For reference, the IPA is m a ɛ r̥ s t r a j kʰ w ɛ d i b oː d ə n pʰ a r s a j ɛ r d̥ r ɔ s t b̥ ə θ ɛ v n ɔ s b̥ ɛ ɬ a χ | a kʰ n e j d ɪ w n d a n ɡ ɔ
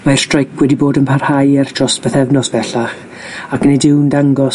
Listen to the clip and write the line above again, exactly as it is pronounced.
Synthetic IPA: m a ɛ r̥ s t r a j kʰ w ɛ d i b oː d ə n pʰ a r h a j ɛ r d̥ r ɔ s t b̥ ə θ ɛ v n ɔ s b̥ ɛ ɬ a χ | a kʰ n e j d ɪ w n d a ŋ ɡ ɔ